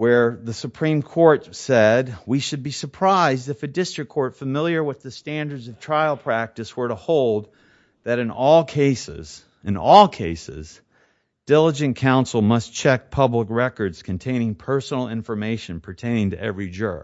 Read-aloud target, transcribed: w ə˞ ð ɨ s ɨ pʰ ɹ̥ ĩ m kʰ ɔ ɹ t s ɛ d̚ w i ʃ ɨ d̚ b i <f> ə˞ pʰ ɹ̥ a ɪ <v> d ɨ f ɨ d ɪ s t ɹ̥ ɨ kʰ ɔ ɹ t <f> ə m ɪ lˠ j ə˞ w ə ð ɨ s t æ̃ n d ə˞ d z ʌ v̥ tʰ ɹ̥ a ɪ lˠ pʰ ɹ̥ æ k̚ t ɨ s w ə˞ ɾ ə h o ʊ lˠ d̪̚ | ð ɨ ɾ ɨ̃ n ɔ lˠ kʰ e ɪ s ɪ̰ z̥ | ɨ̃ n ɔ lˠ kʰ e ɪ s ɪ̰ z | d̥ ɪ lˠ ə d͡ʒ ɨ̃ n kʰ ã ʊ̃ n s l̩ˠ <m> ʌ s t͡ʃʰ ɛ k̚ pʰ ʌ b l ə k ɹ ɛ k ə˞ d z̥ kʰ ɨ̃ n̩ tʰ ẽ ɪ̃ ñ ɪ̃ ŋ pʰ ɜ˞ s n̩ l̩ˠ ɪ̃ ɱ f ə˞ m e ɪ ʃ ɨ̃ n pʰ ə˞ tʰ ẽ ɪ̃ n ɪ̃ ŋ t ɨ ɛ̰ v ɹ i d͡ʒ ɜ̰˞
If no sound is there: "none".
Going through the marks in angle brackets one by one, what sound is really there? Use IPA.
s, z, f, m

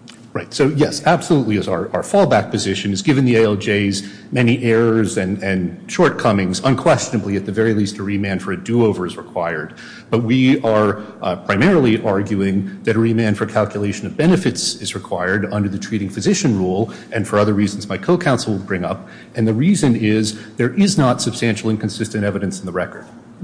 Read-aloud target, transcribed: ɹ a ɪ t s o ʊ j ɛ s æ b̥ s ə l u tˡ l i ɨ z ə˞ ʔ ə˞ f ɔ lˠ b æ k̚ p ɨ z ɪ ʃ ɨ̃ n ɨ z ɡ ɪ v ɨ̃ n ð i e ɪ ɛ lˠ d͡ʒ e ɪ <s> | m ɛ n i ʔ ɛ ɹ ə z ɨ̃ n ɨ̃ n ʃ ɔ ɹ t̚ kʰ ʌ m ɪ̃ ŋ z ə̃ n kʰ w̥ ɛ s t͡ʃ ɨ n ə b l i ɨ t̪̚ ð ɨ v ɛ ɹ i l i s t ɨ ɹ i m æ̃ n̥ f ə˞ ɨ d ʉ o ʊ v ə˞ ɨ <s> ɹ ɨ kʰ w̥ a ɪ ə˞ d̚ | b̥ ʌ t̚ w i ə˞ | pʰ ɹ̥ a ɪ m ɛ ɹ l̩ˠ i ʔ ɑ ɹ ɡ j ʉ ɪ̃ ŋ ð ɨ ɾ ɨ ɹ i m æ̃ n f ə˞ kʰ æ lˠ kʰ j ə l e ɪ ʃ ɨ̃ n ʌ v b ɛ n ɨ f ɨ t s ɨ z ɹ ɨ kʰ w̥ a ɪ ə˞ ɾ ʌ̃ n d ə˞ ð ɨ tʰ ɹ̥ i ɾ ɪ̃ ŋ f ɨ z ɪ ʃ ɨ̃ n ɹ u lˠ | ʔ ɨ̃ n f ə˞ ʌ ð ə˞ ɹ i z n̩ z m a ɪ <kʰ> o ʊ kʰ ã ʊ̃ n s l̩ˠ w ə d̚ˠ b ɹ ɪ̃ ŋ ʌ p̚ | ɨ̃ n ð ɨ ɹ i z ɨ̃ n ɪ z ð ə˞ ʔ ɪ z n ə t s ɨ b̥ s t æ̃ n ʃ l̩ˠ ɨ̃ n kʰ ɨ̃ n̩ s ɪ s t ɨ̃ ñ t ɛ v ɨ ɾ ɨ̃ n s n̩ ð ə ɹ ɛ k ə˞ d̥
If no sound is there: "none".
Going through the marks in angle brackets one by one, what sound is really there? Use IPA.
z, z, kʰ

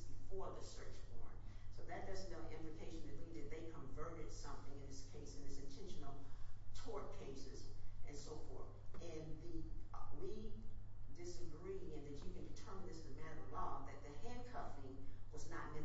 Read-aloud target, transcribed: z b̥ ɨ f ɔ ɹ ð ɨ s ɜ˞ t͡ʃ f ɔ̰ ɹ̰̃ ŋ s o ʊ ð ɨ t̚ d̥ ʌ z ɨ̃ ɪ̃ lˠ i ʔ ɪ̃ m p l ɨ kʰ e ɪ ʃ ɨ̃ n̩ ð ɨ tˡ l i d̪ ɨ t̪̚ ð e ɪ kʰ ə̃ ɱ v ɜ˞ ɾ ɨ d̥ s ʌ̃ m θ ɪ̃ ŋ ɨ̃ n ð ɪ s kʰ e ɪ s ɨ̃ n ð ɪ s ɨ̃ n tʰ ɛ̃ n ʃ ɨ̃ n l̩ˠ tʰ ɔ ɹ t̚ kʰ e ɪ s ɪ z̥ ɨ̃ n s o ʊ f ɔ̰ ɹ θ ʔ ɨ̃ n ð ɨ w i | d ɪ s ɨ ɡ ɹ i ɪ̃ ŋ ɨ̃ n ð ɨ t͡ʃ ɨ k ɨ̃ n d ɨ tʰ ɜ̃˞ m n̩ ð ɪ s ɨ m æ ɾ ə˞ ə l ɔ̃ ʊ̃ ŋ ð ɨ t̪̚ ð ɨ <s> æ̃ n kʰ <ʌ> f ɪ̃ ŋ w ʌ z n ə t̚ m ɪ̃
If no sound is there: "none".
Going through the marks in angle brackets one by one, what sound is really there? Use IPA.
h, ʌ

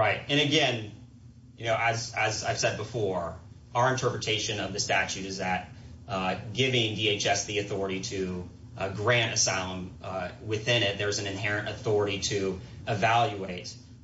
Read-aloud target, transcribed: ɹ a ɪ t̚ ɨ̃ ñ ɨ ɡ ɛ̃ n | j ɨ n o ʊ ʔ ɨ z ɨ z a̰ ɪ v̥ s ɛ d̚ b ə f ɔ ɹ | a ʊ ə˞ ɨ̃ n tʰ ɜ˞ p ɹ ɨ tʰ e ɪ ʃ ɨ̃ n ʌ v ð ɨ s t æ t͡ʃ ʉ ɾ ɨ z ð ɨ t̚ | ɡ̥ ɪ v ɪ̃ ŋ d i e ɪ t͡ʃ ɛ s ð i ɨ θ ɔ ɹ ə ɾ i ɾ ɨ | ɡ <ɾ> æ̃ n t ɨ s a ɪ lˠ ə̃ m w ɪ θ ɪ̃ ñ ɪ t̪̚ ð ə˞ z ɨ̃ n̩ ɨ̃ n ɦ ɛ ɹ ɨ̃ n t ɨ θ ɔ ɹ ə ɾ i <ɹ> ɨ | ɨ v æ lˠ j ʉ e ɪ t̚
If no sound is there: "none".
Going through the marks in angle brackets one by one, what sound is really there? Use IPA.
ɹ, ɾ

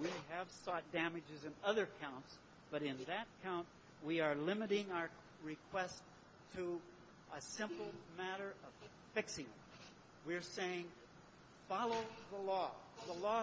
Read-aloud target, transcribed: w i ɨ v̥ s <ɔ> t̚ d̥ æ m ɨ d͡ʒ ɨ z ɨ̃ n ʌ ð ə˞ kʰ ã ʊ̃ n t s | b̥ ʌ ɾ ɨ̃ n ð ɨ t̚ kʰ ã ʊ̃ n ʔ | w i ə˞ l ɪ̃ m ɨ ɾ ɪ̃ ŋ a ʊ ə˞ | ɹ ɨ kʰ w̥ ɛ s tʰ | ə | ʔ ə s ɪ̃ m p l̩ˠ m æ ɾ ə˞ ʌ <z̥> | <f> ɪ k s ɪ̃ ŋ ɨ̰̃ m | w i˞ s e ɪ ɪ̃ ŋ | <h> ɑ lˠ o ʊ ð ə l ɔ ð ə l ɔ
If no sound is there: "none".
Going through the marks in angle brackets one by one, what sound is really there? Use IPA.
ɔ, v̥, f, f

